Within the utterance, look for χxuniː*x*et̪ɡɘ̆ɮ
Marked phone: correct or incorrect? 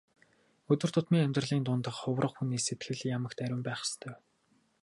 incorrect